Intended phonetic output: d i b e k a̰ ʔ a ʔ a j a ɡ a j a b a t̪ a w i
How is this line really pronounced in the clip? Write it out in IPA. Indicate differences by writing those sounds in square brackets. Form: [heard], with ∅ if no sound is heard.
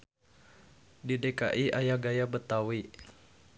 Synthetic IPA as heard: d i [d] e k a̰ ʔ [i] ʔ a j a ɡ a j a b [ə] t̪ a w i